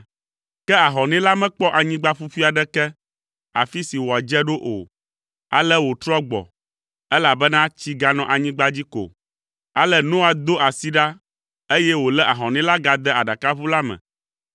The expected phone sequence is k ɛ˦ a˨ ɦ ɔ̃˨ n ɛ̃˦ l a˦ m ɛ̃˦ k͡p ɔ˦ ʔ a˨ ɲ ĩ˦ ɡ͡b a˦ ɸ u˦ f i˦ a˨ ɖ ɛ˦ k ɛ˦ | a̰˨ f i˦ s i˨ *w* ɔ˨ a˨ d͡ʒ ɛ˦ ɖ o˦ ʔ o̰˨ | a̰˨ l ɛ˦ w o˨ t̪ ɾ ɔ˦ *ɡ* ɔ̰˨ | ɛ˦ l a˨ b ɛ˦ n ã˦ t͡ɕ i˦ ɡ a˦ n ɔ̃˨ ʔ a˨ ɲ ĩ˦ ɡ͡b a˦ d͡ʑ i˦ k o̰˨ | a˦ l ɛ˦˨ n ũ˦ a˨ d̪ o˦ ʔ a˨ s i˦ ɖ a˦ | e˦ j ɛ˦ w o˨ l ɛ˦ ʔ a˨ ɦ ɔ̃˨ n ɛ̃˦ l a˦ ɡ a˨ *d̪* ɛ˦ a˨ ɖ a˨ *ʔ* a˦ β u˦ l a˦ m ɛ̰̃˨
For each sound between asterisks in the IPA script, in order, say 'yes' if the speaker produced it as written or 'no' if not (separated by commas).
yes, no, yes, no